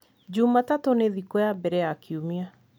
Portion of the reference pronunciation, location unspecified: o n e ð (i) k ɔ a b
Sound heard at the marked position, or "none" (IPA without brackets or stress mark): i